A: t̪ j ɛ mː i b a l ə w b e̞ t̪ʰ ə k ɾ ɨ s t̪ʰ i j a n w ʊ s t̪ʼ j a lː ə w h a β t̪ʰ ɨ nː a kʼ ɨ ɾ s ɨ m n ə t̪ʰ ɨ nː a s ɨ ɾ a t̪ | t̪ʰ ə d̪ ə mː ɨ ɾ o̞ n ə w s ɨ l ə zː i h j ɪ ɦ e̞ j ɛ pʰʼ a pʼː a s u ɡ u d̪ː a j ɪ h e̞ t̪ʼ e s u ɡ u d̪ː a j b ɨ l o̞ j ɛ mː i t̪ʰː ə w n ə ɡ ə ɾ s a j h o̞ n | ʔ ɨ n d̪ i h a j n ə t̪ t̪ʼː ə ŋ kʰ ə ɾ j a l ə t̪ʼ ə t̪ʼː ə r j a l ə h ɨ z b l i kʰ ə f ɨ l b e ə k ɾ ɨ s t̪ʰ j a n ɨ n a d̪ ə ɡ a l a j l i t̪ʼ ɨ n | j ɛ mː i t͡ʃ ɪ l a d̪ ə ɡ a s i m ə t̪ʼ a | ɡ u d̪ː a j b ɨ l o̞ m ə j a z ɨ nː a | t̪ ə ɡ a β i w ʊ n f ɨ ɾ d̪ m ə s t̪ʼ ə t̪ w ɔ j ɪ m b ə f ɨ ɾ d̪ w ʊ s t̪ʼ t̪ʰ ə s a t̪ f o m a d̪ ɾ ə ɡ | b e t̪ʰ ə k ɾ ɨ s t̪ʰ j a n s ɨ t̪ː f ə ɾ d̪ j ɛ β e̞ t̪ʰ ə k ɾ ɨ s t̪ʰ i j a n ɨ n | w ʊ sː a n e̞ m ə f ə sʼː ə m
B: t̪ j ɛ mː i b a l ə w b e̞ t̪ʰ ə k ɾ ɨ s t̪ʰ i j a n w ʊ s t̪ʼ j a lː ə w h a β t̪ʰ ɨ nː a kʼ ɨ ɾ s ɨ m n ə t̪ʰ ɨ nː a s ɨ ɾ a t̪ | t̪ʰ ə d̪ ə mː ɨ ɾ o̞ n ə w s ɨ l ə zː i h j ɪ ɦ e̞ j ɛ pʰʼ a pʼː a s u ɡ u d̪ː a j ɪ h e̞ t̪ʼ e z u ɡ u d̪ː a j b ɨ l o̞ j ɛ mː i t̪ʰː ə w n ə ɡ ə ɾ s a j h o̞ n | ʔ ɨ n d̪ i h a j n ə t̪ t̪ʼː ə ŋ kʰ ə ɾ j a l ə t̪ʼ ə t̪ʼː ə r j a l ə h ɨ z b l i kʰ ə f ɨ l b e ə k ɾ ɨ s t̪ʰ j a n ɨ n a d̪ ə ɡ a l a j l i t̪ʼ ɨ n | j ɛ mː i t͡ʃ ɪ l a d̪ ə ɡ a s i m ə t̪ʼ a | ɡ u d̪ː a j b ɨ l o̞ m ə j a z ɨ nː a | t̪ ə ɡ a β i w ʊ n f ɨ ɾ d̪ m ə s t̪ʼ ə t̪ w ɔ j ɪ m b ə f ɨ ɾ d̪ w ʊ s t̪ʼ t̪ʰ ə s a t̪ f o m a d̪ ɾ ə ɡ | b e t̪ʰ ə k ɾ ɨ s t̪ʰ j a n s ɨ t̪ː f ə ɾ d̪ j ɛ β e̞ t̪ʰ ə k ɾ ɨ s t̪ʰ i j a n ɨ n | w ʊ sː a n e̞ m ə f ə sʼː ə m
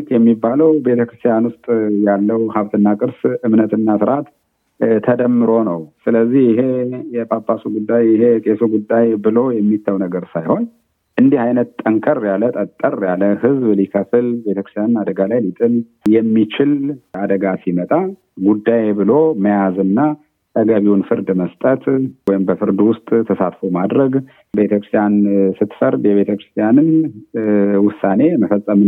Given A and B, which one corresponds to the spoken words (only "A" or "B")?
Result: A